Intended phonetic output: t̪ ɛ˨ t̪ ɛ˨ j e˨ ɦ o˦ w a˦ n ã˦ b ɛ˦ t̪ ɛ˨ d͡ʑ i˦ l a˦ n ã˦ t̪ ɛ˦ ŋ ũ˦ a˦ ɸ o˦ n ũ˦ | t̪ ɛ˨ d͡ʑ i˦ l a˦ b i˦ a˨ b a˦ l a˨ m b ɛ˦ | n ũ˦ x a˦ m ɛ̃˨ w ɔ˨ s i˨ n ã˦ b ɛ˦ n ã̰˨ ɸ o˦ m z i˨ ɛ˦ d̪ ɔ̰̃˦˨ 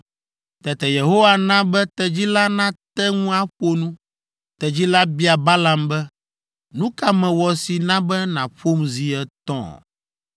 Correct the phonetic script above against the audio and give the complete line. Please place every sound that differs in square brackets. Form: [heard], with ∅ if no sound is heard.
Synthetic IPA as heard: t̪ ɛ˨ t̪ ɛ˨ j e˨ ɦ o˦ w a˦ n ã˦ b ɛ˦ t̪ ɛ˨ d͡ʑ i˦ l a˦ n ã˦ t̪ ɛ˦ ŋ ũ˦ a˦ ɸ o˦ n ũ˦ | t̪ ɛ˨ d͡ʑ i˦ l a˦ b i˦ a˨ b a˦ l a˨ m b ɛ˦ | n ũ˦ [k] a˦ m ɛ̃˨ w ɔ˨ s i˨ n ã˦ b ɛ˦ n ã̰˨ ɸ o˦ m z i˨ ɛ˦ [t̪] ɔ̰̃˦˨